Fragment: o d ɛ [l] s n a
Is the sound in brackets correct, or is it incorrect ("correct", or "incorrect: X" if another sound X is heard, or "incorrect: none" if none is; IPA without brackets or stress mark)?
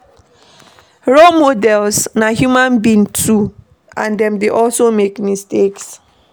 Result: correct